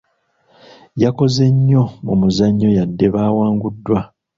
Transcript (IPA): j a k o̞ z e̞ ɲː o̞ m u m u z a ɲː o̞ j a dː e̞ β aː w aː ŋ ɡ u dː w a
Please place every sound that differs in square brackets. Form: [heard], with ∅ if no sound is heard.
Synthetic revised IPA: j a k o̞ z e̞ ɲː o̞ m u m u z a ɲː o̞ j a dː e̞ β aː w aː ŋ ɡ u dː w a